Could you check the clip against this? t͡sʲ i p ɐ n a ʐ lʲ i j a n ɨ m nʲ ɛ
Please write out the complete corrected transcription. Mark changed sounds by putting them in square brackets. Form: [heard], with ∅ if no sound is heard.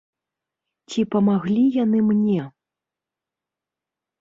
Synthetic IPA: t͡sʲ i p ɐ [m] a [ɣ] lʲ i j a n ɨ m nʲ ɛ